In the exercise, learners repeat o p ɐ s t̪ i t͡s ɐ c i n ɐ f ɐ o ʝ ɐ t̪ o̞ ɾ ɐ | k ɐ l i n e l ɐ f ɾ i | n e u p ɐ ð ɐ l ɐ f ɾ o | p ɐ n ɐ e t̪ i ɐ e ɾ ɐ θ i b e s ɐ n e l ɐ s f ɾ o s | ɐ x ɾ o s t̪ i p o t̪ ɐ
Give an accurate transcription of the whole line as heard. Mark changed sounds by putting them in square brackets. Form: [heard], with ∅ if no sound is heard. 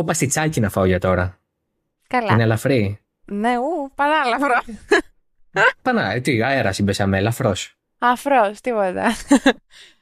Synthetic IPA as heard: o p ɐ s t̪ i t͡s ɐ c i n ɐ f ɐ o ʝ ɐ t̪ o̞ ɾ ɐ | k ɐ l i n e l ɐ f ɾ i | n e u p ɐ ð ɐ l ɐ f ɾ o | p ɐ n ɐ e t̪ i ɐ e ɾ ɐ [s] i b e s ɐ [m] e l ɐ [∅] f ɾ o s | ɐ [f] ɾ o s t̪ i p o t̪ ɐ